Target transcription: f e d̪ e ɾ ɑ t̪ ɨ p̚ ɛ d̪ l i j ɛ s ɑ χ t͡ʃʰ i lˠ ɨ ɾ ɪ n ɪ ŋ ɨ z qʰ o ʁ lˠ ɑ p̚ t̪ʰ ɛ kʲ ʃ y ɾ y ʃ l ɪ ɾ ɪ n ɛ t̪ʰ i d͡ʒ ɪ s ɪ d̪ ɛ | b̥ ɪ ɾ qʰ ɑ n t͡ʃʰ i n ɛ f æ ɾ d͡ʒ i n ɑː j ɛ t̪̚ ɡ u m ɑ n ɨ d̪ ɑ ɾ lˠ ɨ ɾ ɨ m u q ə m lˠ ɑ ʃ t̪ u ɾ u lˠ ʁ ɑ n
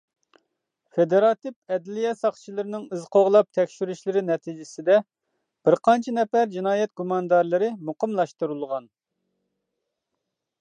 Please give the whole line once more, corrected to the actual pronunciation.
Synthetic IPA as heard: f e d̪ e ɾ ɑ t̪ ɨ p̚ ɛ d̪ l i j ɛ s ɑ χ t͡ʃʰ i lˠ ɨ ɾ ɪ n ɪ ŋ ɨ z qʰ o ʁ lˠ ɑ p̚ t̪ʰ ɛ kʲ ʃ y ɾ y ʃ l ɪ ɾ ɪ n ɛ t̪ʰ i d͡ʒ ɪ s ɪ d̪ ɛ | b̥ ɪ ɾ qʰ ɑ n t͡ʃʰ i n ɛ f æ ɾ d͡ʒ i n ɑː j ɛ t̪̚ ɡ u m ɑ n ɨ d̪ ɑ ɾ lˠ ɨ ɾ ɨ m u q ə m lˠ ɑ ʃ t̪ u ɾ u lˠ ʁ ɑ n